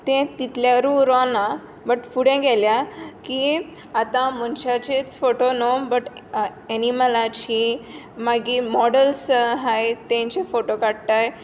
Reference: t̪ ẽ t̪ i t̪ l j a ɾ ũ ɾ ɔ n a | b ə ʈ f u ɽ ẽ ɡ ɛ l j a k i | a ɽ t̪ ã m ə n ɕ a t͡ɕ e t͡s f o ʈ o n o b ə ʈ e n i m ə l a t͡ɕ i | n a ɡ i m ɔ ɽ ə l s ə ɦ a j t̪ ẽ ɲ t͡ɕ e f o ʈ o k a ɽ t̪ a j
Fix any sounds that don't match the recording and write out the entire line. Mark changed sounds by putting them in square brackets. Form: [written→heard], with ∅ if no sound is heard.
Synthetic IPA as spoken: t̪ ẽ t̪ i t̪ l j a ɾ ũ ɾ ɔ n a | b ə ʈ f u ɽ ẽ ɡ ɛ l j a k i | a [ɽ→∅] t̪ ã m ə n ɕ a t͡ɕ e t͡s f o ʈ o n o b ə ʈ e n i m ə l a t͡ɕ i | [n→m] a ɡ i m ɔ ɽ ə l s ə ɦ a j t̪ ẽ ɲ t͡ɕ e f o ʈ o k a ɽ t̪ a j